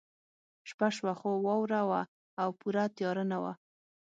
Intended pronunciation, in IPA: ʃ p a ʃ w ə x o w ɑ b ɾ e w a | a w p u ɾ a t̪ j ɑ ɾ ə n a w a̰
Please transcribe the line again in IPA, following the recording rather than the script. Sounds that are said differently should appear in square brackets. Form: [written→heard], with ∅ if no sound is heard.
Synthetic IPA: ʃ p a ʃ w [ə→a] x o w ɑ [b→w] ɾ [e→a] w a | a w p u ɾ a t̪ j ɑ ɾ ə n a w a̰